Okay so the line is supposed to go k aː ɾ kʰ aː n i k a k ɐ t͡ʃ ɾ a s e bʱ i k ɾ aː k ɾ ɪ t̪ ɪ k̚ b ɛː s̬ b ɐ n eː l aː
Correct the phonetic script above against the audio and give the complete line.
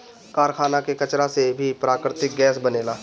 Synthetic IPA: k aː ɾ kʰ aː n a k e k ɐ t͡ʃ ɾ a s e bʱ i p ɾ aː k ɾ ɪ t̪ ɪ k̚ ɡ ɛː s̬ b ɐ n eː l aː